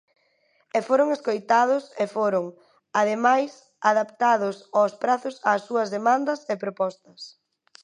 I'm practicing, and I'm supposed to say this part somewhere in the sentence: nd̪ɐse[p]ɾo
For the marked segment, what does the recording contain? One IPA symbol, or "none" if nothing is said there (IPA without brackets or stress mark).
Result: p